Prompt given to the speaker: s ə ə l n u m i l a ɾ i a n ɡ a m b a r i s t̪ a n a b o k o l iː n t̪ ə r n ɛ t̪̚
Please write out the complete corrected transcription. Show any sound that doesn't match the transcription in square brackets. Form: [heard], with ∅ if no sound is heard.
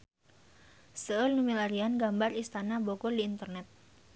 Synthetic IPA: s ə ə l n u m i l a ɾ i a n ɡ a m b a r i s t̪ a n a b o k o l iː n t̪ ə r n ɛ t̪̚